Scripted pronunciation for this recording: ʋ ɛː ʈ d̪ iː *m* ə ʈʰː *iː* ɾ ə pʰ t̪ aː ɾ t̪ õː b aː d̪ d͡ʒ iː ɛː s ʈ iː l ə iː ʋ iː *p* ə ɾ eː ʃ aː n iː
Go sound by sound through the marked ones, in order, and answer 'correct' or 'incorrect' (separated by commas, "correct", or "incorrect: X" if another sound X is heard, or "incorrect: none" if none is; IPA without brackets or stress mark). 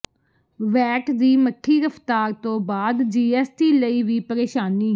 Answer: correct, correct, correct